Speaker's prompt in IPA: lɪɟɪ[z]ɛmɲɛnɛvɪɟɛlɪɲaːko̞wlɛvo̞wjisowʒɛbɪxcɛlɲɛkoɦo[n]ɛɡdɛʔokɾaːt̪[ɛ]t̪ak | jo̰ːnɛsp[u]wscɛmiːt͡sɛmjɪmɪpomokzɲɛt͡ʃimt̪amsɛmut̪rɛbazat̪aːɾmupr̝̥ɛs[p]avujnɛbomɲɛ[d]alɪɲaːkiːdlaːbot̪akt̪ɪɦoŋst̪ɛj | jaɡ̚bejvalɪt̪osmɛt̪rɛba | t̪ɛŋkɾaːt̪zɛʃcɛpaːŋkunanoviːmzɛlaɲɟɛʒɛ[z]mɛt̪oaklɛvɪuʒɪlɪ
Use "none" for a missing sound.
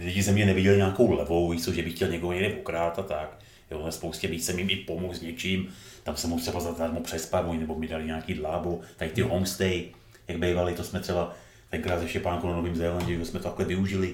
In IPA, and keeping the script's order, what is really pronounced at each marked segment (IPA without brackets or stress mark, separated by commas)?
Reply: z, ɲ, a, o, p, d, s